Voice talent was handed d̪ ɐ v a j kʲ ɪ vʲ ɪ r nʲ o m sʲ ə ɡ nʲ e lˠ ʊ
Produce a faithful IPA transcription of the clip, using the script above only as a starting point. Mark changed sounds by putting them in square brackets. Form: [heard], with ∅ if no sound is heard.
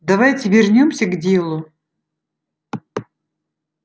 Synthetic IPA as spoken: d̪ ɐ v a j [tʲ] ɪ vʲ ɪ r nʲ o m sʲ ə ɡ [dʲ] e lˠ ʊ